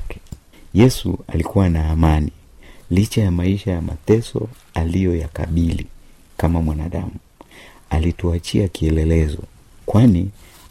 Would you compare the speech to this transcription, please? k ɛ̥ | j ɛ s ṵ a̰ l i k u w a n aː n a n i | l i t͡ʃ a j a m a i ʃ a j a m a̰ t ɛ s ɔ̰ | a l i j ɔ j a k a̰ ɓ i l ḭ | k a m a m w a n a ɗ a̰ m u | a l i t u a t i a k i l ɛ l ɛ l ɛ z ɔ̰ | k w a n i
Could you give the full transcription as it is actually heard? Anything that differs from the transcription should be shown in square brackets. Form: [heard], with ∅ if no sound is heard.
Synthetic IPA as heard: k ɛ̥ | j ɛ s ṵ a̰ l i k u w a n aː [m] a n i | l i t͡ʃ a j a m a i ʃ a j a m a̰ t ɛ s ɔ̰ | a l i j ɔ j a k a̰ ɓ i l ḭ | k a m a m w a n a ɗ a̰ m u | a l i t u a [t͡ʃ] i a k i [∅] ɛ l ɛ l ɛ z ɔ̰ | k w a n i